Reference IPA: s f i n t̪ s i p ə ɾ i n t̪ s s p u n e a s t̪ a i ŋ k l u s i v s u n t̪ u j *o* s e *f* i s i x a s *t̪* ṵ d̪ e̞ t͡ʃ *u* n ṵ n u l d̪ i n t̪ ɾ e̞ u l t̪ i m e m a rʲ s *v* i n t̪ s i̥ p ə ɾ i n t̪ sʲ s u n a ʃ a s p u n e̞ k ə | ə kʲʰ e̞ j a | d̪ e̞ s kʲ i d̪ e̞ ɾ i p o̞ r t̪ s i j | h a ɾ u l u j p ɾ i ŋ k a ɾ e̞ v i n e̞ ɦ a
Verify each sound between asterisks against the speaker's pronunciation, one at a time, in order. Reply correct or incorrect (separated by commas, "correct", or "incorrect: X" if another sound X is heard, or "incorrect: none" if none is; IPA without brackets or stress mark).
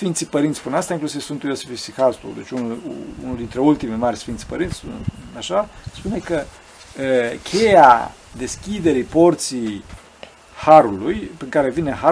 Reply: correct, correct, correct, correct, incorrect: f